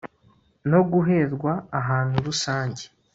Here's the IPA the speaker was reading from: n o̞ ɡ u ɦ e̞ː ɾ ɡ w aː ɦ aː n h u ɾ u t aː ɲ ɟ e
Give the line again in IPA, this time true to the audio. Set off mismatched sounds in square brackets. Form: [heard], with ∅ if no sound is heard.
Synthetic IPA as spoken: n o̞ ɡ u ɦ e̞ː ɾ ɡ w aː ɦ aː n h u ɾ u [s] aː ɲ ɟ e